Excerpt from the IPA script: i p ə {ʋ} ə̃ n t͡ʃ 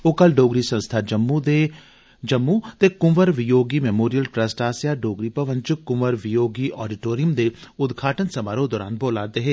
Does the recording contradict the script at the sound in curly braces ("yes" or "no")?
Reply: no